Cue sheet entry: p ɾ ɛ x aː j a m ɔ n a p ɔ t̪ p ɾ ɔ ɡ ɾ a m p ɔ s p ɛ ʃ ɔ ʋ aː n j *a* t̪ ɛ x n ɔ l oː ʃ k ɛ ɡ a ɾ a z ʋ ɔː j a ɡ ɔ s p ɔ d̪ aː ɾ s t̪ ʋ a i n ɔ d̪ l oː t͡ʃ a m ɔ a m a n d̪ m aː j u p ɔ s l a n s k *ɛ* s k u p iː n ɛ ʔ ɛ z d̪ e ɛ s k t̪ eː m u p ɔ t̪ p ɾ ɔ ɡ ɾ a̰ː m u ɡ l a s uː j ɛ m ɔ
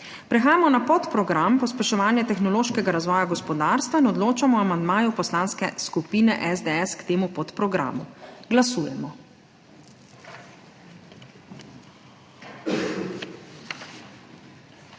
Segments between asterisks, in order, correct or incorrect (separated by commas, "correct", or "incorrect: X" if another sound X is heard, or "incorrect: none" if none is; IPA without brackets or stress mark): incorrect: ɛ, correct